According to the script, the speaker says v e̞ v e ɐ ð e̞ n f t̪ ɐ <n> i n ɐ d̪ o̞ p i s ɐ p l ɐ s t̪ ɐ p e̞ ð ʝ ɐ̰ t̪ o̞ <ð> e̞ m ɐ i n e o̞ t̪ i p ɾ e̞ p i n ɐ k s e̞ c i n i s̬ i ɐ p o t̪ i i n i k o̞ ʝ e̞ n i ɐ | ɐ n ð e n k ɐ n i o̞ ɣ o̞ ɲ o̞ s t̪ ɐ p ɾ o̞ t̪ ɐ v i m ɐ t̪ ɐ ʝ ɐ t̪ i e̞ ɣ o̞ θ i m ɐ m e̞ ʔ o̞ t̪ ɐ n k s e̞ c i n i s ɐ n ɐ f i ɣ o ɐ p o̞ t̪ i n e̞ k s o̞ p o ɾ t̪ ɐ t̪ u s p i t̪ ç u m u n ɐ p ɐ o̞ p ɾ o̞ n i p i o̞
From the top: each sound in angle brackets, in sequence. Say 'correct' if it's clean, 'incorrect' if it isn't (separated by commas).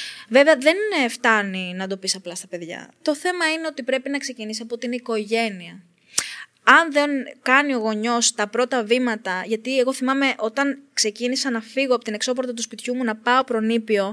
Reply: correct, incorrect